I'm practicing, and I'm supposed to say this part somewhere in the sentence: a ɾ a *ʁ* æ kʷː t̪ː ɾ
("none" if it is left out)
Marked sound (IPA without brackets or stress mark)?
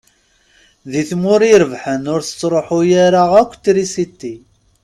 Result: ʁ